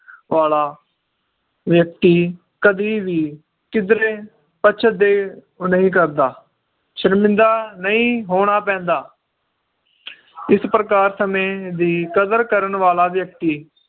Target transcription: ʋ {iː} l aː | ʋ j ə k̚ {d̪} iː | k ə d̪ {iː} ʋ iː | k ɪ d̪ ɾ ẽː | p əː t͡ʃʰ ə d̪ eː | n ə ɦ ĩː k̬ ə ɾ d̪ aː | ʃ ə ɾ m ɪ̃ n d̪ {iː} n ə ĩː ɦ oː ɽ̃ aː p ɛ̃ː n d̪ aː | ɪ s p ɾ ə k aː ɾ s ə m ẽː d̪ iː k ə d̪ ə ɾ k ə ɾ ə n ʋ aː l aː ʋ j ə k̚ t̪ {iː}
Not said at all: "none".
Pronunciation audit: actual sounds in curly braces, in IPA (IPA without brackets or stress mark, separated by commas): aː, t̪, iː, aː, iː